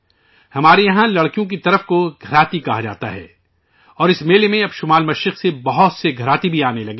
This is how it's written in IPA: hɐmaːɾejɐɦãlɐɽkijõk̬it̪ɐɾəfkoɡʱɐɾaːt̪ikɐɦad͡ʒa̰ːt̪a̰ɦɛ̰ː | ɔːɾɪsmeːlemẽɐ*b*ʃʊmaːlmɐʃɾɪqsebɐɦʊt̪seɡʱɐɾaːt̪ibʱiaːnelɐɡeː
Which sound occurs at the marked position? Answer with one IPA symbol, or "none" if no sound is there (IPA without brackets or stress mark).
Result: b